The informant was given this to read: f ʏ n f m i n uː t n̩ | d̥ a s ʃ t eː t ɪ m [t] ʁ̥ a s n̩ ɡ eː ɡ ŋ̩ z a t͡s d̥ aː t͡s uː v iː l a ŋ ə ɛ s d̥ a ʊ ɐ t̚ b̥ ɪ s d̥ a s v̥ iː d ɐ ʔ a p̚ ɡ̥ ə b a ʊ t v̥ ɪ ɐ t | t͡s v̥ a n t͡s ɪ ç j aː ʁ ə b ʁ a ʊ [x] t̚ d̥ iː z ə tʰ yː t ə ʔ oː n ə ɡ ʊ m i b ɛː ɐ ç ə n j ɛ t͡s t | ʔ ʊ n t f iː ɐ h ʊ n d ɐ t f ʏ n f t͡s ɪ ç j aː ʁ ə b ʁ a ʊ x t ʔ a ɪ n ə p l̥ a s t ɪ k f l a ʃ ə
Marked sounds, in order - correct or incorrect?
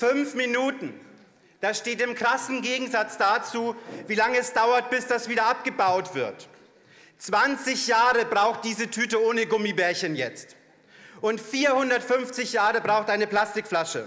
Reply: incorrect: k, correct

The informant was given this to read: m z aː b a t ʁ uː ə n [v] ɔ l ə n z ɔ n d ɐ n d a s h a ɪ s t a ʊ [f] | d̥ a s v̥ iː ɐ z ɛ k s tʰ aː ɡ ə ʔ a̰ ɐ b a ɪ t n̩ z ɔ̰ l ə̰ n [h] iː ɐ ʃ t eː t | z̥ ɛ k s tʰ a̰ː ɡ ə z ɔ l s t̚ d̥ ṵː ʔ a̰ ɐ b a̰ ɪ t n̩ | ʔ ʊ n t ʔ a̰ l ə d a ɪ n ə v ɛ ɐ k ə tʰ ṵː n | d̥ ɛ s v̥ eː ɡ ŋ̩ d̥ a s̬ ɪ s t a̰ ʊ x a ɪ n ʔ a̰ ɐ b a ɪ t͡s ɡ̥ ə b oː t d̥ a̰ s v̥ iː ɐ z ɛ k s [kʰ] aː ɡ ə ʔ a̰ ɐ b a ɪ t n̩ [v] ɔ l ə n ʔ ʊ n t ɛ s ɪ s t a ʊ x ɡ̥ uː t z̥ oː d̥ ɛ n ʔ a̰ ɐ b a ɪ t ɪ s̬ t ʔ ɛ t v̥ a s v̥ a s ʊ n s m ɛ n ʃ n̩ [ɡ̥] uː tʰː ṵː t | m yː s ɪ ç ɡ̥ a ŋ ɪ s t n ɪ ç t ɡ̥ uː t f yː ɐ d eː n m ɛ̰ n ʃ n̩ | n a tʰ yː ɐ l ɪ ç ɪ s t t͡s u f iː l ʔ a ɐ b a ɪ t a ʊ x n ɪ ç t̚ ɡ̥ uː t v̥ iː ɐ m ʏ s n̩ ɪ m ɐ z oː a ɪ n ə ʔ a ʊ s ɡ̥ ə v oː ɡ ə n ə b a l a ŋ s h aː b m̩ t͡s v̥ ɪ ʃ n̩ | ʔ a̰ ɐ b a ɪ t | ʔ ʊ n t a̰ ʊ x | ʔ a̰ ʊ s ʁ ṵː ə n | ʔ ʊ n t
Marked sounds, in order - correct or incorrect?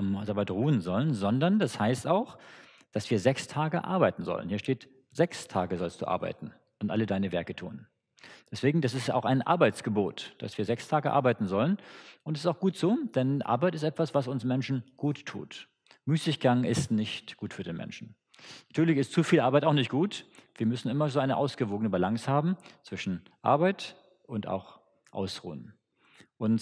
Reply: incorrect: z, incorrect: x, correct, incorrect: tʰ, incorrect: z, correct

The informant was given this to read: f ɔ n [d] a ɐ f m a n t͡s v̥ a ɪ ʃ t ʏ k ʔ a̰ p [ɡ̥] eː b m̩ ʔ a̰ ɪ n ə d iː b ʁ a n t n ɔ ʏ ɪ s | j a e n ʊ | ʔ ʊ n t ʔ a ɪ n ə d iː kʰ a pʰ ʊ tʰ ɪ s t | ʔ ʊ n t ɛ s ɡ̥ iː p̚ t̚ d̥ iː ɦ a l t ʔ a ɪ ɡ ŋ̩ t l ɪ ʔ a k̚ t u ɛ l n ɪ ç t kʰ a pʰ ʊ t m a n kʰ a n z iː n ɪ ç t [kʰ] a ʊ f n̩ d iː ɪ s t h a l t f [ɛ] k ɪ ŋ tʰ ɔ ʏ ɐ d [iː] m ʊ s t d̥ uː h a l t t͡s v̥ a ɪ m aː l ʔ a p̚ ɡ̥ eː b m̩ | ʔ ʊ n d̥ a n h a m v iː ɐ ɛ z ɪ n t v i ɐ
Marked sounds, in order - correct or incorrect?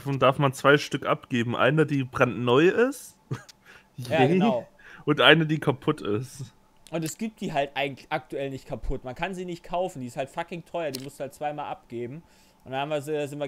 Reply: correct, correct, correct, incorrect: a, correct

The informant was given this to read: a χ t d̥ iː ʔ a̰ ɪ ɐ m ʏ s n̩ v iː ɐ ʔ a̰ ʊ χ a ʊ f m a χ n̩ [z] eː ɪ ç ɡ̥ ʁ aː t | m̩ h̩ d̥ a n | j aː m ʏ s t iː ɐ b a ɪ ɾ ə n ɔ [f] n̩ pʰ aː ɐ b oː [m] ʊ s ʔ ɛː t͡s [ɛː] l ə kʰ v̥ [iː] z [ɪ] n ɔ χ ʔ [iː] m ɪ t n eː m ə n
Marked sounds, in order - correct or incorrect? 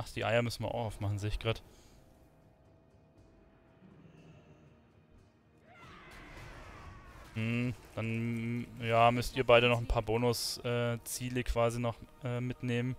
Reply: correct, incorrect: χ, incorrect: n, incorrect: iː, incorrect: aː, incorrect: i, incorrect: ɛː

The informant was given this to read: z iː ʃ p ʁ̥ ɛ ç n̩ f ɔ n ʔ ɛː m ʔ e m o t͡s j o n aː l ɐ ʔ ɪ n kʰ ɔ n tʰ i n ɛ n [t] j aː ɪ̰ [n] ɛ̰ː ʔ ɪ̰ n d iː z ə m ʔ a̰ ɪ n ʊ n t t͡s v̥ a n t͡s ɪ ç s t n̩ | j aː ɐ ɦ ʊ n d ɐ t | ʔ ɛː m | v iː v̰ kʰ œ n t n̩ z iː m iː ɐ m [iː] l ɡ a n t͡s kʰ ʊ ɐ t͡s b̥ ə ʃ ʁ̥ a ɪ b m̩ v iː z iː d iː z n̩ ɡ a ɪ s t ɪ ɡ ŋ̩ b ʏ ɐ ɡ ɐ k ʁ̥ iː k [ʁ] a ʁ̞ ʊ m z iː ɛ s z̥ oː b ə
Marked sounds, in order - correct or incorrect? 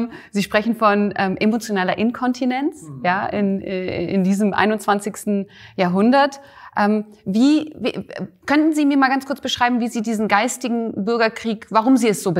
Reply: incorrect: t͡s, correct, incorrect: aː, incorrect: v

